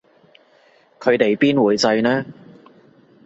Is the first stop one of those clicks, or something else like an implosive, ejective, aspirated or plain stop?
aspirated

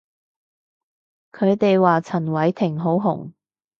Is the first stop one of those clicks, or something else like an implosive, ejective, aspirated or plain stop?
aspirated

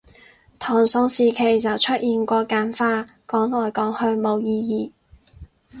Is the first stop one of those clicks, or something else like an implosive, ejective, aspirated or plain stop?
aspirated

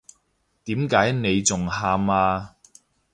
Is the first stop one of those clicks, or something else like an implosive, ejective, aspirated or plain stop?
plain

